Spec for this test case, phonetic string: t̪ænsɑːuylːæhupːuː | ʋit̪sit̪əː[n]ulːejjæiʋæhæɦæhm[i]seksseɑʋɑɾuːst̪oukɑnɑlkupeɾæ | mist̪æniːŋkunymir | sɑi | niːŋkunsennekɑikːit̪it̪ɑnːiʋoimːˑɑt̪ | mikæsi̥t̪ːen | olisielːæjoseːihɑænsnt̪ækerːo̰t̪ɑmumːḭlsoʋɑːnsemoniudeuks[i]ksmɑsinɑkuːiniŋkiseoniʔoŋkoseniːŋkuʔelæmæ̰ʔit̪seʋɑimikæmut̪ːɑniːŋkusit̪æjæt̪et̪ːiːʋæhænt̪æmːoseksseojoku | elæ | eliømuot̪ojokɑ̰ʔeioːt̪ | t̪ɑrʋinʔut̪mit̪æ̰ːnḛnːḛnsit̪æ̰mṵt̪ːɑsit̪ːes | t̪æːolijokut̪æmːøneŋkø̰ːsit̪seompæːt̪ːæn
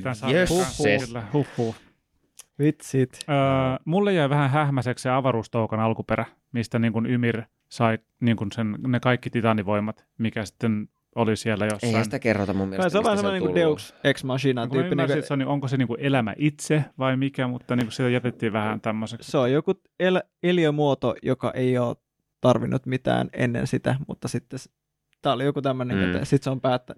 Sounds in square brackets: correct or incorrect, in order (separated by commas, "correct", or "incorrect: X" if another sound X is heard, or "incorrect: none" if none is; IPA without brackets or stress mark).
incorrect: m, incorrect: æ, incorrect: e